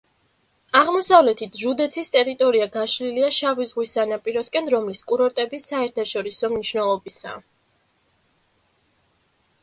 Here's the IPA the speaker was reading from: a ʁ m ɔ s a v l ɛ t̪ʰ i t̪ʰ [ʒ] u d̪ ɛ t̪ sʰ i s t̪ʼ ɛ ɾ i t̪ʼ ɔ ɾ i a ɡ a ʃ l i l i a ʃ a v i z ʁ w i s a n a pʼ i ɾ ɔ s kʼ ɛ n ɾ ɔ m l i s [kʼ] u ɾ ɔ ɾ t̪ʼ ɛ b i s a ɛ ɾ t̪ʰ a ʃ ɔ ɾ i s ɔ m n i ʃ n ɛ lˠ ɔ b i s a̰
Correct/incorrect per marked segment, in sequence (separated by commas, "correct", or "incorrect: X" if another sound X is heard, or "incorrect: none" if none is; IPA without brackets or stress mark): correct, correct